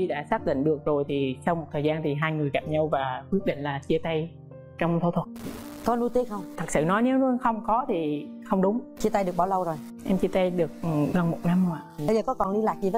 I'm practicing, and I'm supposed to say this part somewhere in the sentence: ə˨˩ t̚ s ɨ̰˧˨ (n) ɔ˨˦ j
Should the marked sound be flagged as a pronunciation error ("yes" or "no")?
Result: no